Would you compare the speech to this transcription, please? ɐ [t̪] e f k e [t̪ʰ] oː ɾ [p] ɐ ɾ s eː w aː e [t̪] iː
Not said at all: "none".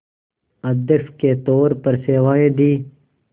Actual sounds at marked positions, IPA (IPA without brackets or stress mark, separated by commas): d̪, t̪, p, d̪